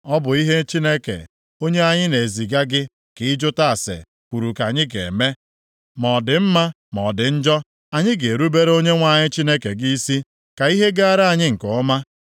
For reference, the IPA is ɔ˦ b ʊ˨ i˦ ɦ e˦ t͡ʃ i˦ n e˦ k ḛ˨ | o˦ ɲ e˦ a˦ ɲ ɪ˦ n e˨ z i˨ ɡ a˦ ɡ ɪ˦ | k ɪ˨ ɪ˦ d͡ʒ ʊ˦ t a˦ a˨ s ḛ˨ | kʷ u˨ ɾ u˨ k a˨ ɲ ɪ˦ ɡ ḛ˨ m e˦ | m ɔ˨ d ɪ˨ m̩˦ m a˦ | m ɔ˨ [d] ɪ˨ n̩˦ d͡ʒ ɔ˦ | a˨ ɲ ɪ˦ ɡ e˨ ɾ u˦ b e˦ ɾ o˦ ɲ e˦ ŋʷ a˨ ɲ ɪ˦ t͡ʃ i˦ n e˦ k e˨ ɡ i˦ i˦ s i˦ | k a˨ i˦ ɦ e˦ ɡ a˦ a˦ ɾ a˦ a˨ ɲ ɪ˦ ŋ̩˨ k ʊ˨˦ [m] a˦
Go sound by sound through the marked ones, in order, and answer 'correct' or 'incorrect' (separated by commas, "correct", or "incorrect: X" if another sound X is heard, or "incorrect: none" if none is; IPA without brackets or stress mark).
correct, correct